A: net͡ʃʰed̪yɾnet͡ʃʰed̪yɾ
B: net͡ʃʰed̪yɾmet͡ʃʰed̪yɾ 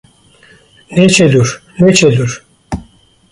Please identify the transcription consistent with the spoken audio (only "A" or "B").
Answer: A